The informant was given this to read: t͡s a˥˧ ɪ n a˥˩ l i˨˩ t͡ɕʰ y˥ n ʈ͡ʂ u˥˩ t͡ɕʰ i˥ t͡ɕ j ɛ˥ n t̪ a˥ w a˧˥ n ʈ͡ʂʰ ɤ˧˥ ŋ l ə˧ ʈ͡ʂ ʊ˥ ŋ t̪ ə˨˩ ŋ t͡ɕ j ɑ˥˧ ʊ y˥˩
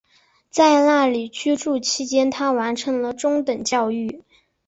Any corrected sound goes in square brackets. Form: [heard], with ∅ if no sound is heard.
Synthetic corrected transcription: t͡s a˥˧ ɪ n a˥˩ l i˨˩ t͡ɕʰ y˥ [∅] ʈ͡ʂ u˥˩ t͡ɕʰ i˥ t͡ɕ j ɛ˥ n [t̪ʰ] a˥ w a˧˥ n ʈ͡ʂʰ ɤ˧˥ ŋ l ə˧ ʈ͡ʂ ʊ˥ ŋ t̪ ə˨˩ ŋ t͡ɕ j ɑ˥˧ ʊ y˥˩